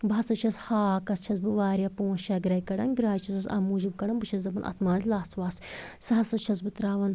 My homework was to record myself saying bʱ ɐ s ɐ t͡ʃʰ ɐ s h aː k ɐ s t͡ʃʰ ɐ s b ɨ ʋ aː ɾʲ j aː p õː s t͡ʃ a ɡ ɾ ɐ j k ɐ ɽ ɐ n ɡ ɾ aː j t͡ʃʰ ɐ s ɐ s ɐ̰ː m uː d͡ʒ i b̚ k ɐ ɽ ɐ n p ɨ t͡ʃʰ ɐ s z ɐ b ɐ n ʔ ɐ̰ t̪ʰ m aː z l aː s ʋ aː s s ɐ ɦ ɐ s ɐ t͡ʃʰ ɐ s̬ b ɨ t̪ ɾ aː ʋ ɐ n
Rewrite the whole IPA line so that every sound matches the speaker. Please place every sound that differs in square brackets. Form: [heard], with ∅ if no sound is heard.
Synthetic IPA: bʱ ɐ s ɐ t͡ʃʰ ɐ s h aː k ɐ s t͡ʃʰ ɐ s b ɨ ʋ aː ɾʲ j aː p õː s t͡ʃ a ɡ ɾ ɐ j k ɐ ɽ ɐ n ɡ ɾ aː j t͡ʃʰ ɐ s ɐ s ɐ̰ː m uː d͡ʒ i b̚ k ɐ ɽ ɐ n [b] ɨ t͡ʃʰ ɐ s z ɐ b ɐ n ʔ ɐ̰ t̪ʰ m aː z l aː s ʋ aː s s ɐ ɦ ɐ s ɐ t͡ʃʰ ɐ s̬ b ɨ t̪ ɾ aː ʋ ɐ n